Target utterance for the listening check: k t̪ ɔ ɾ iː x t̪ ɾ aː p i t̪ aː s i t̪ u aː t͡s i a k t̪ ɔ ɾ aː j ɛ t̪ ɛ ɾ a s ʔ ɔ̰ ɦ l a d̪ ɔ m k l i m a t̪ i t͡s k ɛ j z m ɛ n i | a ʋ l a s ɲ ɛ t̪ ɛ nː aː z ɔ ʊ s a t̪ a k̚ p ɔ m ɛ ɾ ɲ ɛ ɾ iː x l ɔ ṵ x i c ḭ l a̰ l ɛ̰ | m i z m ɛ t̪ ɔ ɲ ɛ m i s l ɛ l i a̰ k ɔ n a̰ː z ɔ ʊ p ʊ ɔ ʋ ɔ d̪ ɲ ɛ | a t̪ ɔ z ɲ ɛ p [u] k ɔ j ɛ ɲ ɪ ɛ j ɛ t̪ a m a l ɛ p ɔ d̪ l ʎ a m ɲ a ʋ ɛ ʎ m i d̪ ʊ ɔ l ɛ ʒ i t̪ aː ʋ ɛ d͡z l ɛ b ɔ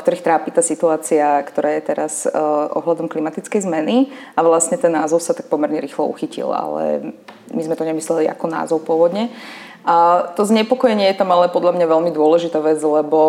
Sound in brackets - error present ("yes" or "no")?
yes